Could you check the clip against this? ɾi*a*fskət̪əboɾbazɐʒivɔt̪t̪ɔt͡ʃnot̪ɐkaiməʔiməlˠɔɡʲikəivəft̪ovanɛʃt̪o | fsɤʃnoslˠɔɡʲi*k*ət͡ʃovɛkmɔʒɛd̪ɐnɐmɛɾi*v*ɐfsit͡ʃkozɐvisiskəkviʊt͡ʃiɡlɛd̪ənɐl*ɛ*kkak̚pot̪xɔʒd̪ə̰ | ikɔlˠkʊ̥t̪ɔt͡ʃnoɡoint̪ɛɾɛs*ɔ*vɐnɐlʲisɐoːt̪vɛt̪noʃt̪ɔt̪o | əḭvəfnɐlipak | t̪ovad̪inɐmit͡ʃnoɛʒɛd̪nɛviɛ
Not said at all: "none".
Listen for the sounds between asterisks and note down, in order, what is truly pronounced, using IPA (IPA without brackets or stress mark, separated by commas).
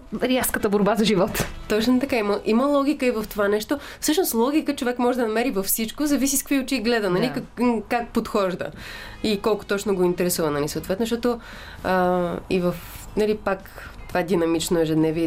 a, k, v, i, u